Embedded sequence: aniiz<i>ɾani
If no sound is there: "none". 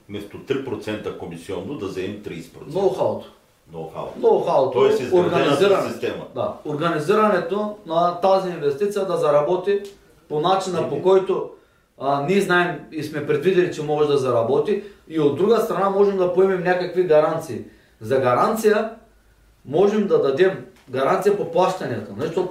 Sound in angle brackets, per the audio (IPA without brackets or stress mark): i